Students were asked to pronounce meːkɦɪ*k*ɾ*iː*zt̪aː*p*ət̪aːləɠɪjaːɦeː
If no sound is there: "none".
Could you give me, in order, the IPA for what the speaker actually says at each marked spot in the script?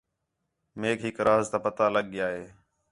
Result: k, aː, p

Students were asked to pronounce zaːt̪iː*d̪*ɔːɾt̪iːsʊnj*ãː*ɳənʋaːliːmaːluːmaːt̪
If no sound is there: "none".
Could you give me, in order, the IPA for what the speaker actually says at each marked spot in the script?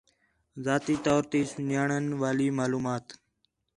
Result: t̪, aː

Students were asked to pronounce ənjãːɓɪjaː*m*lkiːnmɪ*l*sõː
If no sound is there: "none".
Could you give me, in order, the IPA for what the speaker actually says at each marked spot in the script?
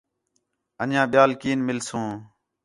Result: none, l

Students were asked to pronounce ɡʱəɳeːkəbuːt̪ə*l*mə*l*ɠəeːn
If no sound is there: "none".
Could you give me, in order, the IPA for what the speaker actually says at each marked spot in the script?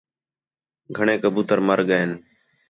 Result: ɾ, ɾ

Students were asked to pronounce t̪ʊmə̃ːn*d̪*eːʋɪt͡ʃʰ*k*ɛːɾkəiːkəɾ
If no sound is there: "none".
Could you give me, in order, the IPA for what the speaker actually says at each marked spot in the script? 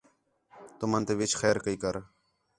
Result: t̪, x

